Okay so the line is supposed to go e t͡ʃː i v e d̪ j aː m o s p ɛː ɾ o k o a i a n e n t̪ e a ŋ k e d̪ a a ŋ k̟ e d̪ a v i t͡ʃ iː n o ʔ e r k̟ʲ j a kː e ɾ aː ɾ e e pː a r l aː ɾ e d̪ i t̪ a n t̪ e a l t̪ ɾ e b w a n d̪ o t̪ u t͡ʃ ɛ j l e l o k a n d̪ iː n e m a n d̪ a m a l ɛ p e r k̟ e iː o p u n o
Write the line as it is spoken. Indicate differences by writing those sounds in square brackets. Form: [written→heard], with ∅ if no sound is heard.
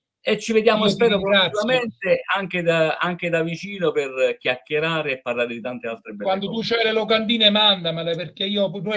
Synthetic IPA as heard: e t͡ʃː i v e d̪ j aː m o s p ɛː ɾ o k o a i a [n→m] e n t̪ e a ŋ k e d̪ a a ŋ k̟ e d̪ a v i t͡ʃ iː n o [ʔ→p] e r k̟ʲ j a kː e ɾ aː ɾ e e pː a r l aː ɾ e d̪ i t̪ a n t̪ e a l t̪ ɾ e b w a n d̪ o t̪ u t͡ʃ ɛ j l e l o k a n d̪ iː n e m a n d̪ a m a l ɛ p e r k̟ e iː o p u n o